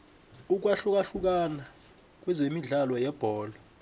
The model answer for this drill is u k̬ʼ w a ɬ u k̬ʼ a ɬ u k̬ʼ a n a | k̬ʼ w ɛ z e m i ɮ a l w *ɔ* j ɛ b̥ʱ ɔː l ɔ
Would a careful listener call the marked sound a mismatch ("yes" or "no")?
no